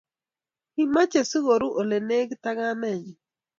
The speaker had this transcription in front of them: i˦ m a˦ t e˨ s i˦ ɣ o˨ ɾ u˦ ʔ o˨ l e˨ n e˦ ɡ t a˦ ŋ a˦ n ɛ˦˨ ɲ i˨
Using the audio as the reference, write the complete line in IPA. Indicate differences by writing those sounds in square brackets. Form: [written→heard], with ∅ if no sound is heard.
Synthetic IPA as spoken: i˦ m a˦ [t→t͡ʃ] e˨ s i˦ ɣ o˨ ɾ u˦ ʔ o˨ l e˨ n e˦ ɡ t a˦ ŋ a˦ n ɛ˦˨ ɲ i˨